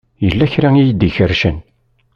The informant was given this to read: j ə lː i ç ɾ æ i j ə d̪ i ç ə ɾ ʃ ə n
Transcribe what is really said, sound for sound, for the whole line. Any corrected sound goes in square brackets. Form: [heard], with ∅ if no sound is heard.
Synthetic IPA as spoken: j ə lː [æ] ç ɾ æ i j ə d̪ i ç ə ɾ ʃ ə n

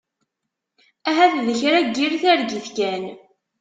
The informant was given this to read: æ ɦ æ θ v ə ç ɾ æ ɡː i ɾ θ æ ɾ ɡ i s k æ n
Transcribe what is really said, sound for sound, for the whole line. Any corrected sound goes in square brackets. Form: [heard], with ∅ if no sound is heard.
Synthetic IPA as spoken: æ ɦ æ θ [ð] ə ç ɾ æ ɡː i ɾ θ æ ɾ ɡ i [θ] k æ n

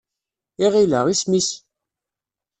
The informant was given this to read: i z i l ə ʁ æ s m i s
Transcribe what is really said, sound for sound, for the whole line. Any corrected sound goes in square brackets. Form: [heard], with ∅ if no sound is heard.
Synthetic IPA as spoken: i [ʁ] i l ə ʁ [i] s m i s

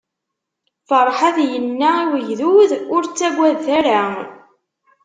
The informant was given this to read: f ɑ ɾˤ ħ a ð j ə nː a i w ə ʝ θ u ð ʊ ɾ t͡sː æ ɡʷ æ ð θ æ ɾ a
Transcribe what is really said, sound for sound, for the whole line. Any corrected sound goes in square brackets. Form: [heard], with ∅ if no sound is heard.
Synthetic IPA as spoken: f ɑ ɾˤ ħ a ð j ə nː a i w ə ʝ [ð] u ð ʊ ɾ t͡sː æ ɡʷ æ ð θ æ ɾ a

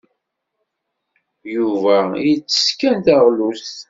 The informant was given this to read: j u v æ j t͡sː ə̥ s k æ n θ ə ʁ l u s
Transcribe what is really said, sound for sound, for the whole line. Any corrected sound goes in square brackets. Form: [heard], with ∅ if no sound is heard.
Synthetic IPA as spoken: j u v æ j t͡sː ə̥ s k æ n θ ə ʁ l u s

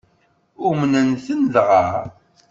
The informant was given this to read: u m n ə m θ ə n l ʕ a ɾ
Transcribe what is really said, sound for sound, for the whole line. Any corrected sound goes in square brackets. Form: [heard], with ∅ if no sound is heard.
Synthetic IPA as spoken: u m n ə [n] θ ə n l [ʁ] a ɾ

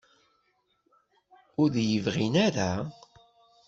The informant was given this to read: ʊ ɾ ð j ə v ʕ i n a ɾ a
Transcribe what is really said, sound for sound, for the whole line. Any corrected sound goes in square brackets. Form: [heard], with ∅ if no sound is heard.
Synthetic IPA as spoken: ʊ ɾ ð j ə v [ʁ] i n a ɾ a

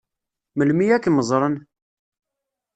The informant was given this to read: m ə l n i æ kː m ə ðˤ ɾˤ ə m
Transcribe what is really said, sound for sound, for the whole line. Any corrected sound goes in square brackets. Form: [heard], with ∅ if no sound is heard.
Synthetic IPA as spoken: m ə l [m] i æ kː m ə [zˤ] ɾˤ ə [n]

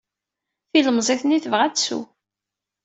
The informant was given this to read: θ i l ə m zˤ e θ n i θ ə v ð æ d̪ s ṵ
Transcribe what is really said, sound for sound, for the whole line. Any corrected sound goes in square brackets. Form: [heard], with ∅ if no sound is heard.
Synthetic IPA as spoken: θ i l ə m zˤ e θ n i θ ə v [ʁ] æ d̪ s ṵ

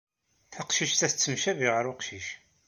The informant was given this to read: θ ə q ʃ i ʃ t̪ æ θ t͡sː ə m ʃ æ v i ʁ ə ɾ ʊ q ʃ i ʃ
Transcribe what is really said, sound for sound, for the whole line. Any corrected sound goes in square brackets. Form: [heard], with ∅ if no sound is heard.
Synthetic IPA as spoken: θ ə q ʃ i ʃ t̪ æ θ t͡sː ə m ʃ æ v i ʁ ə ɾ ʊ q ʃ i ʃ

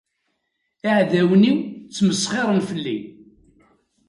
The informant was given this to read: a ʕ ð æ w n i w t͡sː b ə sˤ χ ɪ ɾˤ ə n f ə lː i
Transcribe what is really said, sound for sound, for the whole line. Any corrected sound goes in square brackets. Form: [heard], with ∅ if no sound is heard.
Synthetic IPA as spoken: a ʕ ð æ w n i w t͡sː [m] ə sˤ χ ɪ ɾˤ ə n f ə lː i

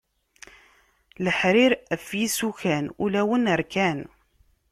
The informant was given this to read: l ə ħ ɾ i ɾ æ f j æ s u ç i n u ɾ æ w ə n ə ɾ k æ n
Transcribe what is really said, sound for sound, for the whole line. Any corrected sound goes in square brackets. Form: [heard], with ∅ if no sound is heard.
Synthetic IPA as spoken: l ə ħ ɾ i ɾ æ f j [i] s u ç [æ] n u [l] æ w ə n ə ɾ k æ n

